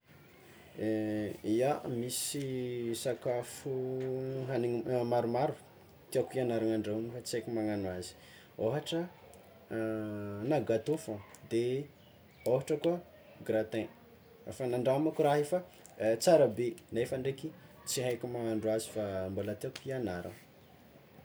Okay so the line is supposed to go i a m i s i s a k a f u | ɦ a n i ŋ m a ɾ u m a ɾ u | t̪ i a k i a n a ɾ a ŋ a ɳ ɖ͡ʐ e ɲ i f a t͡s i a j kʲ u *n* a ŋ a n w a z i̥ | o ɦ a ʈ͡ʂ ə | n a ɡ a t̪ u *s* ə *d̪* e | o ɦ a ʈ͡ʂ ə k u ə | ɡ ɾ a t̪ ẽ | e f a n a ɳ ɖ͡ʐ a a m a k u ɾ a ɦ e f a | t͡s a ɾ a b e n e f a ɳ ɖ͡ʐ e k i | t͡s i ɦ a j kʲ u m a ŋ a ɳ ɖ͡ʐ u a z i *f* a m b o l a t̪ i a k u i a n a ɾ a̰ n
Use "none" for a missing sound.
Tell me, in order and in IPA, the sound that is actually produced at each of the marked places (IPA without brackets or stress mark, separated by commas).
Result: m, f, d̪, f